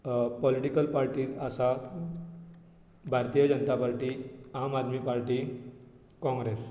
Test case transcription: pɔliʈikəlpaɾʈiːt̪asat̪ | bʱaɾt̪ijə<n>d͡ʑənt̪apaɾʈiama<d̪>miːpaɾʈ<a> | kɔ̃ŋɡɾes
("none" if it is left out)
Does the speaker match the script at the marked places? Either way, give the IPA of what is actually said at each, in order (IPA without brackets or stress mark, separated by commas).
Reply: none, d̪, i